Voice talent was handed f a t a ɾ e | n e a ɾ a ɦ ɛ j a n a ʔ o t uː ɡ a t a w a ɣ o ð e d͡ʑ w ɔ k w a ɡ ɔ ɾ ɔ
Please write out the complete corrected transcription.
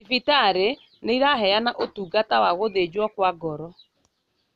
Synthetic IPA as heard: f i t a ɾ e | n e i ɾ a ɦ ɛ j a n a ʔ o t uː ɡ a t a w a ɣ o ð e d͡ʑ w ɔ k w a ɡ ɔ ɾ ɔ